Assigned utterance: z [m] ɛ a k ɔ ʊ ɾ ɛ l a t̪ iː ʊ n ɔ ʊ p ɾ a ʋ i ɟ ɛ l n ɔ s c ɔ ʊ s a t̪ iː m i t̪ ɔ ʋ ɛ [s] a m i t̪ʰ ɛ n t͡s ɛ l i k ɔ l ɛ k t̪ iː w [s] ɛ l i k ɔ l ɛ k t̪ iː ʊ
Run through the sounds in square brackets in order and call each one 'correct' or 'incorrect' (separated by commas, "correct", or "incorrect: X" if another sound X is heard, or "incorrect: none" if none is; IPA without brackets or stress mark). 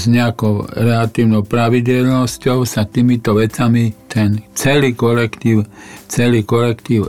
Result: incorrect: ɲ, incorrect: t͡s, incorrect: t͡s